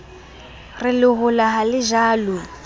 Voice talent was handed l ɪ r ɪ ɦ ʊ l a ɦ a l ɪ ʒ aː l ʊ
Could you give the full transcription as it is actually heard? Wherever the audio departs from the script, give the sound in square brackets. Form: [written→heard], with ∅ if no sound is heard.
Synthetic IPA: [l→r] ɪ [r→l] ɪ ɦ ʊ l a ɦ a l ɪ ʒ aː l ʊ